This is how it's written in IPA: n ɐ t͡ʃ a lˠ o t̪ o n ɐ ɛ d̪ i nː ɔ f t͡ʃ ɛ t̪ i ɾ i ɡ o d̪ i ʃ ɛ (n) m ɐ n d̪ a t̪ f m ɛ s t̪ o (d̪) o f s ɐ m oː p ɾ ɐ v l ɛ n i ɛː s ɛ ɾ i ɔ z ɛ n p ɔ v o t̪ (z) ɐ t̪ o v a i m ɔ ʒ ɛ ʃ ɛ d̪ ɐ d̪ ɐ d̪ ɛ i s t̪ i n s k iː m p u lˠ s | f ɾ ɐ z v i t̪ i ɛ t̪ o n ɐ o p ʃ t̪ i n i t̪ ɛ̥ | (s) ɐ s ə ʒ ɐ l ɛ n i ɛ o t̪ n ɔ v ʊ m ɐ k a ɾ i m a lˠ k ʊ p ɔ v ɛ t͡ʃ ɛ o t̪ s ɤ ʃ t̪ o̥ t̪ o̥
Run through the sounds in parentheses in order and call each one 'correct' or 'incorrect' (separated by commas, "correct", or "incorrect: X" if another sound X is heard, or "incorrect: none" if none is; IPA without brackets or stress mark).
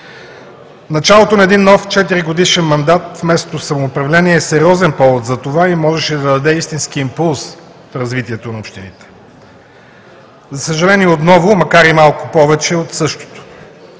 correct, incorrect: t̪, correct, incorrect: z